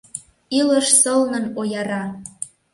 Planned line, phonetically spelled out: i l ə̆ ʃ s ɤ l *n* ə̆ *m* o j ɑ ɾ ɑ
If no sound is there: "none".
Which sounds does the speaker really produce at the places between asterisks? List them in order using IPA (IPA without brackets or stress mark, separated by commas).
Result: n, n